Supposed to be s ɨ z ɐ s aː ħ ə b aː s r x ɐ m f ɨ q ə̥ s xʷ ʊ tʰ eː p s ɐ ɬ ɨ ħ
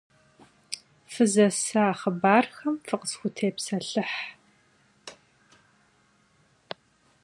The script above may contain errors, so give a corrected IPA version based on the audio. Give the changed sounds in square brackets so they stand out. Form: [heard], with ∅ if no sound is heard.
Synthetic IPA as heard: [f] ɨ z ɐ s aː [χ] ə b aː [∅] r x ɐ m f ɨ q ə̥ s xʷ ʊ tʰ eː p s ɐ ɬ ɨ ħ